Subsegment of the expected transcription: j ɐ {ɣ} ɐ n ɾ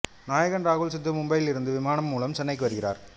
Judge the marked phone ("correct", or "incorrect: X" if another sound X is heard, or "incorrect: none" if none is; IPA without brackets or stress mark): correct